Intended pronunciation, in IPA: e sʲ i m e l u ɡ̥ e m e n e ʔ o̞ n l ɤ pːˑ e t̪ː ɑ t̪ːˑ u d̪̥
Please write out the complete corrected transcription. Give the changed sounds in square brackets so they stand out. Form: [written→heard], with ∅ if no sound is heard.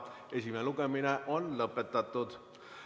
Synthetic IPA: e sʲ i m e l u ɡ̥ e m [e→i] n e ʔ o̞ n l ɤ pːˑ e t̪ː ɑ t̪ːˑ u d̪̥